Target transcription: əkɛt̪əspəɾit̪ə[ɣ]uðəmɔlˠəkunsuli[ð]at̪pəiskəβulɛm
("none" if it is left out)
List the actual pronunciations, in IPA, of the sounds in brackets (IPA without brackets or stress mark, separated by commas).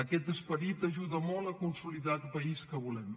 ʒ, ð